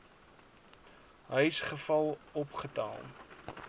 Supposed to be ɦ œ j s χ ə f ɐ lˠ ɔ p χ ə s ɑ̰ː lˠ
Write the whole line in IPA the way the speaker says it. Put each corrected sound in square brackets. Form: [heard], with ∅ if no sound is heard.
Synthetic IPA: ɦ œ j s χ ə f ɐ lˠ ɔ p χ ə [t] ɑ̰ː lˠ